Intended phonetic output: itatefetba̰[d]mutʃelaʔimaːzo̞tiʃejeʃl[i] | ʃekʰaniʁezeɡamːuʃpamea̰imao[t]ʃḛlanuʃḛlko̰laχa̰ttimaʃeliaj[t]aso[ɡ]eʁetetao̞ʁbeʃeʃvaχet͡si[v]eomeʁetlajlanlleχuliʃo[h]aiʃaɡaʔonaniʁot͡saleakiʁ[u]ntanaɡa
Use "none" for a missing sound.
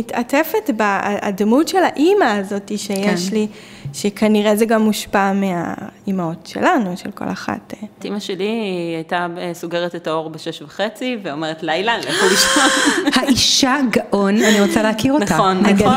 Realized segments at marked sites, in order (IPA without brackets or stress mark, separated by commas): d, i, t, t, ɡ, v, h, o